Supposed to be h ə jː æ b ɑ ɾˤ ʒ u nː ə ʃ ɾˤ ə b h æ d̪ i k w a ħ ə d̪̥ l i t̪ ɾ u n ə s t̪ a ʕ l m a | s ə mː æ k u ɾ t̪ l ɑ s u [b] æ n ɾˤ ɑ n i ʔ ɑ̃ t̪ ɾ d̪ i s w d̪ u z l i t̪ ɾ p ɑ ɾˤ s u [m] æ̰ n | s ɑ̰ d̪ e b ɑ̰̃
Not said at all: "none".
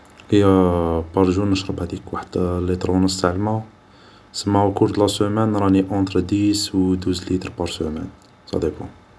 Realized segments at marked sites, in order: m, m

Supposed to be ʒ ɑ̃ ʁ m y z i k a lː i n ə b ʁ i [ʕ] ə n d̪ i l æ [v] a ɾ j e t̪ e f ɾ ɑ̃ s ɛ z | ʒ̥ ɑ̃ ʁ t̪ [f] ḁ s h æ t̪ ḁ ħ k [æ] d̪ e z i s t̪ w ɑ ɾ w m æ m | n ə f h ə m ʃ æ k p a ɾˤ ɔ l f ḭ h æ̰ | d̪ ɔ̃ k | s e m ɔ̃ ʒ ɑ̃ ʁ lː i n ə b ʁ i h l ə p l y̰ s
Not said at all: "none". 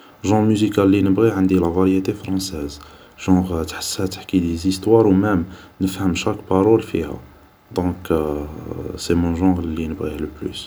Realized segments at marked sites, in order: ʕ, v, ħ, i

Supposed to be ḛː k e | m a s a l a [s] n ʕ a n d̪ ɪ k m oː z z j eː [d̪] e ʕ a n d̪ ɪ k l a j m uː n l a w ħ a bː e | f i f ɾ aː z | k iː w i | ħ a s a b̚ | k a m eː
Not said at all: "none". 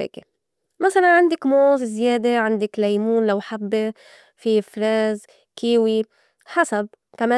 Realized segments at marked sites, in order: none, d̪

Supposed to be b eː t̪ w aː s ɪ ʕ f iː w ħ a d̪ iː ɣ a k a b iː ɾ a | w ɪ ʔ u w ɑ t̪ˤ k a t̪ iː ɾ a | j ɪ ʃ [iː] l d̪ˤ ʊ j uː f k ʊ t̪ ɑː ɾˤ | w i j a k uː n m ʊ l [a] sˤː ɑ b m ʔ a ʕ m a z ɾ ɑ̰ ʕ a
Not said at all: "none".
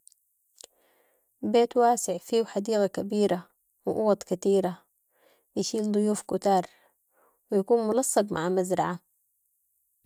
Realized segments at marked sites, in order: iː, ɑ

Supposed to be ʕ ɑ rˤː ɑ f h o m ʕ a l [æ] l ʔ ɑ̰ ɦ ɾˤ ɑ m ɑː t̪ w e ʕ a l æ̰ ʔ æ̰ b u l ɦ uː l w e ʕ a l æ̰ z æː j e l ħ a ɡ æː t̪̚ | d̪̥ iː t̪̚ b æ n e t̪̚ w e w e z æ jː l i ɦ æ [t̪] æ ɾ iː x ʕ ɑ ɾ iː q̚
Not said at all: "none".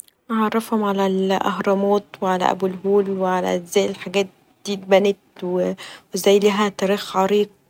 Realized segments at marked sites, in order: æ, t̪

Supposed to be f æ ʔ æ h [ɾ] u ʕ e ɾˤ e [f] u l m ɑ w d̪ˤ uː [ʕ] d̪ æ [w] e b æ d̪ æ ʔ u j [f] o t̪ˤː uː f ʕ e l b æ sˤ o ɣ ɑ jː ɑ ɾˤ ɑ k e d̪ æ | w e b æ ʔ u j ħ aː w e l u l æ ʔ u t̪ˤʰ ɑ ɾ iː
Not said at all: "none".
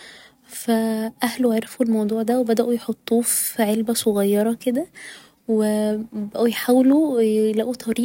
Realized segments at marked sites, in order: l, f, ʕ, w, ħ

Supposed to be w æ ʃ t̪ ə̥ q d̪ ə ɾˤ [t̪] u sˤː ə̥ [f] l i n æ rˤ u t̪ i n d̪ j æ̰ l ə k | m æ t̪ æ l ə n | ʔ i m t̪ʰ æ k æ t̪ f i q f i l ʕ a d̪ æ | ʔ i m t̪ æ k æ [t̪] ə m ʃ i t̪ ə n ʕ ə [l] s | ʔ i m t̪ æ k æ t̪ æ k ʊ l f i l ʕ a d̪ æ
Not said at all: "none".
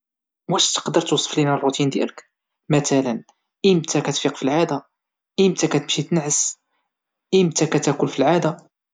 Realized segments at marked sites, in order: t̪, f, t̪, none

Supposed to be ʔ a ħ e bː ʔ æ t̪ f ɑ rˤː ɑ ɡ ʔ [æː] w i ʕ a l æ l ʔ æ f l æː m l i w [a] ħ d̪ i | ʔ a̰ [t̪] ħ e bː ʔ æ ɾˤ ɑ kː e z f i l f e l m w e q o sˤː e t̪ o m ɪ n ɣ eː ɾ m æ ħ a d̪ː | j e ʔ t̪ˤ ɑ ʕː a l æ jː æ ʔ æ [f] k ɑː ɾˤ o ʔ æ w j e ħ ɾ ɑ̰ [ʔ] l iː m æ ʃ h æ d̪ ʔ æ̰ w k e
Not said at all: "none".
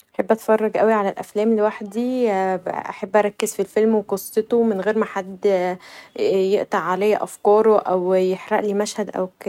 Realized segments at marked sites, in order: æ, a, none, f, ʔ

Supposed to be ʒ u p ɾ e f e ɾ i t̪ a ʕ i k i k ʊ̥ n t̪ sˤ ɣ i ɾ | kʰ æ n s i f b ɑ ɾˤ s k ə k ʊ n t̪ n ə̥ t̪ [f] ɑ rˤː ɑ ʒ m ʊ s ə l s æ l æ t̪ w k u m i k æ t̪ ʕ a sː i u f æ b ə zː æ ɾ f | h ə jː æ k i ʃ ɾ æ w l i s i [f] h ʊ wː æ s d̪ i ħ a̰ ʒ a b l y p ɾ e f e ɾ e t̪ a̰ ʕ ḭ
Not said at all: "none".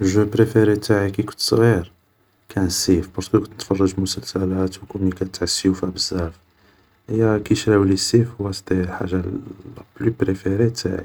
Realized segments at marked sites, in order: f, f

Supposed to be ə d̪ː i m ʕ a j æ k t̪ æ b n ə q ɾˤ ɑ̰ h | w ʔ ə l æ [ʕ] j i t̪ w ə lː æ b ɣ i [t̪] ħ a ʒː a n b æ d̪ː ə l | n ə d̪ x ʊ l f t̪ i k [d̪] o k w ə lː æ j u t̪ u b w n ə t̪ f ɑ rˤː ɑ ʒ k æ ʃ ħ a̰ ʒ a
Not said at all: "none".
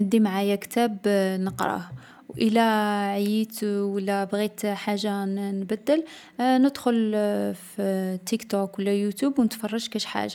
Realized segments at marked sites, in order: ʕ, t̪, t̪

